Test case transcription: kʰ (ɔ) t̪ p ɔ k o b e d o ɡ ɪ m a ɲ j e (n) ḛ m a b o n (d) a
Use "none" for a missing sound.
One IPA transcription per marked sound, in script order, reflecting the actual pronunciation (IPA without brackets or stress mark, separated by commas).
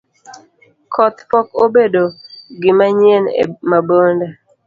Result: ɔ, n, d